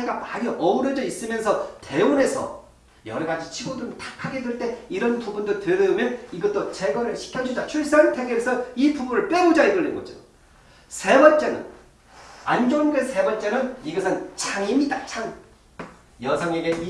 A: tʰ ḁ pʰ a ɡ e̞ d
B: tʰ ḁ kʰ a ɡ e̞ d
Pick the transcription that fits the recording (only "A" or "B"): B